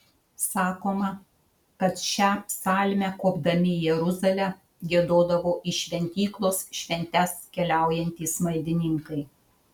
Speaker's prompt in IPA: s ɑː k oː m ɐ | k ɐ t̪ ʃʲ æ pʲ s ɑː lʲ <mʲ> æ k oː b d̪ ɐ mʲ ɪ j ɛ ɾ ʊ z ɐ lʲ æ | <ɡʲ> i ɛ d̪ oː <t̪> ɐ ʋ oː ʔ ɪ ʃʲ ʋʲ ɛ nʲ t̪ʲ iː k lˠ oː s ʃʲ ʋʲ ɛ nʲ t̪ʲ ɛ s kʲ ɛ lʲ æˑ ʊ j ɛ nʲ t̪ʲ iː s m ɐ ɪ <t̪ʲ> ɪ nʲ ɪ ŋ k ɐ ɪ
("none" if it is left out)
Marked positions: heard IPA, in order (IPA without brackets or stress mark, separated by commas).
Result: mʲ, ɡʲ, d̪, d̪ʲ